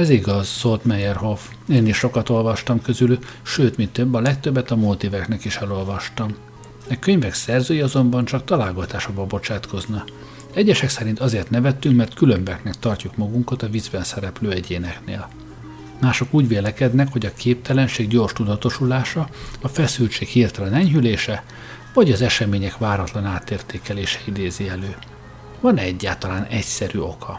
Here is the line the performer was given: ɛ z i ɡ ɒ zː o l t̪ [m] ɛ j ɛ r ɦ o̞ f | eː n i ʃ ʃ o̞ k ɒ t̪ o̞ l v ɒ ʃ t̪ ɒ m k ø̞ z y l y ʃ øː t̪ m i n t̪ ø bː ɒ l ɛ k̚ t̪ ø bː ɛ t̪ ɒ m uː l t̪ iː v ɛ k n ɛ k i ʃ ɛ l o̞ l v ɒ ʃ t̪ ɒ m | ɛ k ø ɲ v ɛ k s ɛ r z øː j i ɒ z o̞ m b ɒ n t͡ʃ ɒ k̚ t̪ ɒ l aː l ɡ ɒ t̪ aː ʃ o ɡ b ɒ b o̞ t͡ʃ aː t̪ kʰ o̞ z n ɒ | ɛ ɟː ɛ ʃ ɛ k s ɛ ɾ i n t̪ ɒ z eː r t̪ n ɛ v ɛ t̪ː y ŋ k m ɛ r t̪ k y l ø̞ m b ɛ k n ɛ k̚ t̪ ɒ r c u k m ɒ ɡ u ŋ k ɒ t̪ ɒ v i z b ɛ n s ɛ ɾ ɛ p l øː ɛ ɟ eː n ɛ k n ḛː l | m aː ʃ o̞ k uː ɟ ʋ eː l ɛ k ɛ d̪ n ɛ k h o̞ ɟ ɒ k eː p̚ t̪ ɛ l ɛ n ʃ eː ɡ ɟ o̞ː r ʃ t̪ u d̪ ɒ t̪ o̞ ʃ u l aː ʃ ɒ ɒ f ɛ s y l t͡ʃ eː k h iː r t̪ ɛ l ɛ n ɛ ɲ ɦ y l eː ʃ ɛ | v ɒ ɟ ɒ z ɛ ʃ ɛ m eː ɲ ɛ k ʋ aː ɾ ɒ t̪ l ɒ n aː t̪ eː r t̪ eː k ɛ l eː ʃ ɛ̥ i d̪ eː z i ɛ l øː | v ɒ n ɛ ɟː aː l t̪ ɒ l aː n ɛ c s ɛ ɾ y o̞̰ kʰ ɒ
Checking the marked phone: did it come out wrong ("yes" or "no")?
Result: no